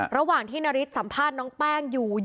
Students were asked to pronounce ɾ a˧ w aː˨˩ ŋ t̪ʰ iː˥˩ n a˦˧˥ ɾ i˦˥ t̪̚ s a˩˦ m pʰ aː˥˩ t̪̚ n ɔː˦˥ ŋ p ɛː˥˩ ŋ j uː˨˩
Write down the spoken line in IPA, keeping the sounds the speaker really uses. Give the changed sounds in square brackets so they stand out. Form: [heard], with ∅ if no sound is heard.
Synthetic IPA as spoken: ɾ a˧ w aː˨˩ ŋ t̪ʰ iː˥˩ n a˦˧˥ ɾ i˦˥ t̪̚ s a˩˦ m pʰ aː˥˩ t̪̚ n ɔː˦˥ ŋ p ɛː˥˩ ŋ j uː˨˩

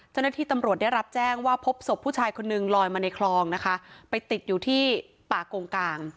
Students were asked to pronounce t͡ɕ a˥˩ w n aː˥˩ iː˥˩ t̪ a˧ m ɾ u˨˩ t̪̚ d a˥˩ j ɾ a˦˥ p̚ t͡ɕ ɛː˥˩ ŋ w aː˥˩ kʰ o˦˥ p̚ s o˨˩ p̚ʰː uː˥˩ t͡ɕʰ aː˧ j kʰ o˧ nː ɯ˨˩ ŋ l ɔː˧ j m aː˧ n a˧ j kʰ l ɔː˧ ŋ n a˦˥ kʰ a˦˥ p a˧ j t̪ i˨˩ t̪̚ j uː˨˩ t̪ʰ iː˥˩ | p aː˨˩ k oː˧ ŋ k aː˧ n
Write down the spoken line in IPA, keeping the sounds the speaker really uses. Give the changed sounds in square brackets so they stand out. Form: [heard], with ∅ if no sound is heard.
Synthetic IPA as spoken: t͡ɕ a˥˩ w n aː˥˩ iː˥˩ t̪ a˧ m ɾ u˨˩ t̪̚ d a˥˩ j ɾ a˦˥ p̚ t͡ɕ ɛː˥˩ ŋ w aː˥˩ [pʰ] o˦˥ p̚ s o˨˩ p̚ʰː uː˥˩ t͡ɕʰ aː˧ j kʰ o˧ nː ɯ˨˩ ŋ l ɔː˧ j m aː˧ n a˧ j kʰ l ɔː˧ ŋ n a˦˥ kʰ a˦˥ p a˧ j t̪ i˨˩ t̪̚ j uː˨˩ t̪ʰ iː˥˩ | p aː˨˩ k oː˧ ŋ k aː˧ [ŋ]

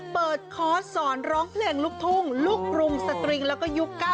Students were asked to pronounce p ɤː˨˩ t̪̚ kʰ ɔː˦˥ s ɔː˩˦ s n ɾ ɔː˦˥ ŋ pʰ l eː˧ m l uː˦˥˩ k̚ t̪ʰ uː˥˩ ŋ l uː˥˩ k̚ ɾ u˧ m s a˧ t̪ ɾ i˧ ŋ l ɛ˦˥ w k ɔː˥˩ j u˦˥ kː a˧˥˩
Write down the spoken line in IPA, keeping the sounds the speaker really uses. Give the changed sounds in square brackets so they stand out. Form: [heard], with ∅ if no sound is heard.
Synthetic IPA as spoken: p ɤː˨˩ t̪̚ kʰ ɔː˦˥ s ɔː˩˦ [∅] n ɾ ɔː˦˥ ŋ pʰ l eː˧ [ŋ] l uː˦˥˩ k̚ t̪ʰ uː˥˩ ŋ l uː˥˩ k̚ ɾ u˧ m s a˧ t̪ ɾ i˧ ŋ l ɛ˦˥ w k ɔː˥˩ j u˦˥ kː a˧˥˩

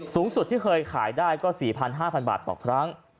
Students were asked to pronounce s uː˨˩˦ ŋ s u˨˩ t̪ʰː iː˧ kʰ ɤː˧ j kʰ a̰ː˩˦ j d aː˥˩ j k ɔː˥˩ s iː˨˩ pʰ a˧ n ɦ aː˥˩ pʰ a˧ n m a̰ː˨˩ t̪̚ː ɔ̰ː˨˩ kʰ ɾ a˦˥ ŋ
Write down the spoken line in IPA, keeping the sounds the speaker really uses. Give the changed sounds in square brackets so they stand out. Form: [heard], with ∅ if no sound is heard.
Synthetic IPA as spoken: s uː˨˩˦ ŋ s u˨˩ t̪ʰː [iː˥˩] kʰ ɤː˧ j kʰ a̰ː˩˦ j d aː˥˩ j k ɔː˥˩ s iː˨˩ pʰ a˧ n ɦ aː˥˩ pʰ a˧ n [b] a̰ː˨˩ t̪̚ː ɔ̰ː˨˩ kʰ ɾ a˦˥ ŋ

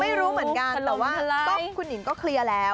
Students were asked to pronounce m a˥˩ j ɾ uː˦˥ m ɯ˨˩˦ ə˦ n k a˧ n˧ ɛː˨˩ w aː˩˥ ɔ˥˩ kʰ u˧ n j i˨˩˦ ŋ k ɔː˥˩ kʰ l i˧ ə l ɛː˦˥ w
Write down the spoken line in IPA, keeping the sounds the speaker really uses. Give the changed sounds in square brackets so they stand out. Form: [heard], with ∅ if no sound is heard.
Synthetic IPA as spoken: m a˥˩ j ɾ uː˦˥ m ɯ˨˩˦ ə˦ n k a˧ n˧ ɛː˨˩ w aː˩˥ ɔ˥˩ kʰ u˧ n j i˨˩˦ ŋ k ɔː˥˩ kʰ l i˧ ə l ɛː˦˥ w

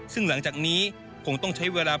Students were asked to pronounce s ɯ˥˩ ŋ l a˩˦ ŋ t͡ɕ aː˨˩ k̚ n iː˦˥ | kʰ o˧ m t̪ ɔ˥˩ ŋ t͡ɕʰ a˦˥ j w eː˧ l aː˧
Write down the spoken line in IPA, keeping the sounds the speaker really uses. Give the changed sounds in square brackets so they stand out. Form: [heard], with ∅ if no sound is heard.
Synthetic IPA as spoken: s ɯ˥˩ ŋ l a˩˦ ŋ t͡ɕ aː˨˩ k̚ n iː˦˥ | kʰ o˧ [ŋ] t̪ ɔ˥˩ ŋ t͡ɕʰ a˦˥ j w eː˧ l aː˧

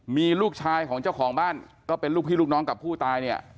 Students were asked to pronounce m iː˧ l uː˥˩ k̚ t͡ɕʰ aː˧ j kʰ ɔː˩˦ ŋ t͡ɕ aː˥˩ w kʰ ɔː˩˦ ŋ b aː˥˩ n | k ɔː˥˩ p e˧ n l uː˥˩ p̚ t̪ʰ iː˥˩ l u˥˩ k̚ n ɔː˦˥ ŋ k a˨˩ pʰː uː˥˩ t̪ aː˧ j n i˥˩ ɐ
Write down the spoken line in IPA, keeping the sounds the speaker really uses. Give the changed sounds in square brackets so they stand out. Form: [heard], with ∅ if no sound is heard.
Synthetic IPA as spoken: m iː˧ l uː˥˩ k̚ t͡ɕʰ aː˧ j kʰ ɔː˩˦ ŋ t͡ɕ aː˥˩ w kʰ ɔː˩˦ ŋ b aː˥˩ n | k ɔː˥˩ p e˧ n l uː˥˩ [k̚] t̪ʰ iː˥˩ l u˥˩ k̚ n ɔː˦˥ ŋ k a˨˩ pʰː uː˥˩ t̪ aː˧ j n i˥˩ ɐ

